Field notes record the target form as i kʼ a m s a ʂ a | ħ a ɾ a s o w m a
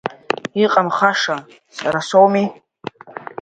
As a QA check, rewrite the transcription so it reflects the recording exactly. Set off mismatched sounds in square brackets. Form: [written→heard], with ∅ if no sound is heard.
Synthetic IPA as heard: i [kʼ→qʼ] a m [s→χ] a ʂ a | [ħ→s] a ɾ a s o w m [a→i]